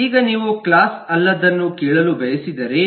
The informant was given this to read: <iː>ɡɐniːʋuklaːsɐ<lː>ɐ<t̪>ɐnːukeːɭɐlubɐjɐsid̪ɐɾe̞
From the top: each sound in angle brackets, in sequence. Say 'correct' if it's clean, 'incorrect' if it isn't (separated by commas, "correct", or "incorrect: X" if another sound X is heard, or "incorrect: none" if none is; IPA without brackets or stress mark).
correct, correct, incorrect: d̪